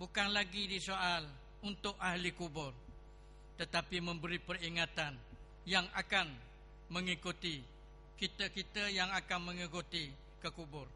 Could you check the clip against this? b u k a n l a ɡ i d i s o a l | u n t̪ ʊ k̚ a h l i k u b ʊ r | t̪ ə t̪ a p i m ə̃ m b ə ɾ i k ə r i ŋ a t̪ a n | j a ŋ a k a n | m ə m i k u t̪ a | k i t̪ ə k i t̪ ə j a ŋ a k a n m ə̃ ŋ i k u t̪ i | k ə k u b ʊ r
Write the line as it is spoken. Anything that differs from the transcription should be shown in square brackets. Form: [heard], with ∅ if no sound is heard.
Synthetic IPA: b u k a n l a ɡ i d i s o a l | u n t̪ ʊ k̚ a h l i k u b ʊ r | t̪ ə t̪ a p i m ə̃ m b ə ɾ i [p] ə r i ŋ a t̪ a n | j a ŋ a k a n | m ə [ŋ] i k u t̪ [i] | k i t̪ ə k i t̪ ə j a ŋ a k a n m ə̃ ŋ i k u t̪ i | k ə k u b ʊ r